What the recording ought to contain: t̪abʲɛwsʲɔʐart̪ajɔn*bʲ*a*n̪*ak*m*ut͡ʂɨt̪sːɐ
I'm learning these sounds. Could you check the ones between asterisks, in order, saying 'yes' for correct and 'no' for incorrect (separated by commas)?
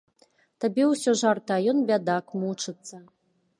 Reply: yes, no, yes